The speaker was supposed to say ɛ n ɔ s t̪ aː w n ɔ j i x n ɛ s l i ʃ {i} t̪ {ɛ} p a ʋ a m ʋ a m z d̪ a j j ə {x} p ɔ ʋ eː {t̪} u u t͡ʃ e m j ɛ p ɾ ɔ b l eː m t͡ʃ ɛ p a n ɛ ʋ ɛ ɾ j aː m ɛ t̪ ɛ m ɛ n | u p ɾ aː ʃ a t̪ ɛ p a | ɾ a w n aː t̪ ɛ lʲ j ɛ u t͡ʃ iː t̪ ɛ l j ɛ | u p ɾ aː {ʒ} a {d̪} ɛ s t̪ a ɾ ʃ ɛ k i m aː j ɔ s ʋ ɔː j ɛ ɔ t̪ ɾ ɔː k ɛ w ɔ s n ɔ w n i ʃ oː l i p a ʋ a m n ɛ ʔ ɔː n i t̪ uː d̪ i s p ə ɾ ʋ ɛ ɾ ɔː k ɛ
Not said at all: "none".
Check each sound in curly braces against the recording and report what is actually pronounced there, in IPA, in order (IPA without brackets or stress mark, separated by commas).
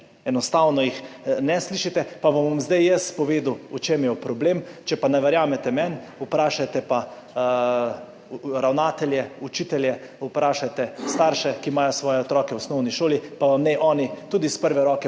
i, ɛ, s, d̪, ʃ, t̪